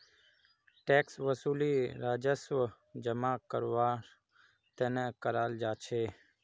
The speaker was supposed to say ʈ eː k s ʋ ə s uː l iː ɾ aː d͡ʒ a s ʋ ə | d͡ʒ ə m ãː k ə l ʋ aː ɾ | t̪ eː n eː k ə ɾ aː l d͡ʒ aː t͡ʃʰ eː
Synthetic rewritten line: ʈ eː k s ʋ ə s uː l iː ɾ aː d͡ʒ ə s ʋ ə | d͡ʒ ə m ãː k ə ɾ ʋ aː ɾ | t̪ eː n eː k ə ɾ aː l d͡ʒ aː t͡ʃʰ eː